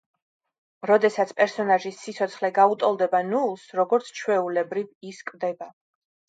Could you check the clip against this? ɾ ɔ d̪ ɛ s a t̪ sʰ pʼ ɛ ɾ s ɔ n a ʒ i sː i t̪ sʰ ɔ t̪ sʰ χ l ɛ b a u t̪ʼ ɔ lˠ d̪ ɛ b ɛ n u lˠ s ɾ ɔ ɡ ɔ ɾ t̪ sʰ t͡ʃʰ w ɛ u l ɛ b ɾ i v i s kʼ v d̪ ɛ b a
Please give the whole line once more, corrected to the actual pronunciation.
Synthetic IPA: ɾ ɔ d̪ ɛ s a t̪ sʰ pʼ ɛ ɾ s ɔ n a ʒ i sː i t̪ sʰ ɔ t̪ sʰ χ l ɛ ɡ a u t̪ʼ ɔ lˠ d̪ ɛ b a n u lˠ s ɾ ɔ ɡ ɔ ɾ t̪ sʰ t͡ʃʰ w ɛ u l ɛ b ɾ i v i s kʼ v d̪ ɛ b a